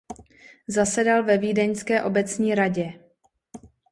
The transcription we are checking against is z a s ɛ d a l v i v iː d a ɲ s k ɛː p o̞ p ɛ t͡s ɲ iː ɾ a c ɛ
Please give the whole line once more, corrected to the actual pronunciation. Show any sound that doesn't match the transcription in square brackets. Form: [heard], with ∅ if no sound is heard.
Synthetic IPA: z a s ɛ d a l v [ɛ] v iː d [ɛ] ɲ s k ɛː [ʔ] o̞ [b] ɛ t͡s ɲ iː ɾ a [ɟ] ɛ